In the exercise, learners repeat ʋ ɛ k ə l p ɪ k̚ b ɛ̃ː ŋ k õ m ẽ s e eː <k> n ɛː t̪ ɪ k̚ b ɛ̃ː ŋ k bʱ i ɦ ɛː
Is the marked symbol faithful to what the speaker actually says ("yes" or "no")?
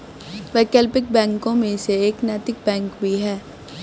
yes